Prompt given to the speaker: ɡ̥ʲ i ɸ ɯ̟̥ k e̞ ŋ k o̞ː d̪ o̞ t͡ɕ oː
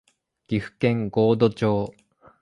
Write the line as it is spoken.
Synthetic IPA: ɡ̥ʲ i ɸ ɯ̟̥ k ẽ̞ ŋ ɡ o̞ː d̪ o̞ t͡ɕ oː